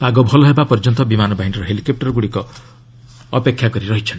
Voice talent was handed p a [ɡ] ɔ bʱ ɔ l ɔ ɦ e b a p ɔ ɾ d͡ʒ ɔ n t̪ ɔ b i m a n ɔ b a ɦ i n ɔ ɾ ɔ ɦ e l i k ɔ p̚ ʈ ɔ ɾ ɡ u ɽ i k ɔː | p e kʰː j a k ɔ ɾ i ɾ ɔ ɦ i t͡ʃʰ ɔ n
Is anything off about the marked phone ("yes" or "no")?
no